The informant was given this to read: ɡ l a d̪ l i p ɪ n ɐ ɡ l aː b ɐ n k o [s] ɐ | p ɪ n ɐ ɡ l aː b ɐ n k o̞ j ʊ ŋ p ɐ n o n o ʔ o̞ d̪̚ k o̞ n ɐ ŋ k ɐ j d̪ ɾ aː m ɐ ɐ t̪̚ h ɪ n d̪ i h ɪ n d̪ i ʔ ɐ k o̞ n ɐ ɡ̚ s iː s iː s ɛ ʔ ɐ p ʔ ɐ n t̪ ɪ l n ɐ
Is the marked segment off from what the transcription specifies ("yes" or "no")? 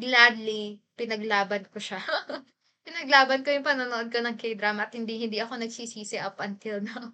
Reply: yes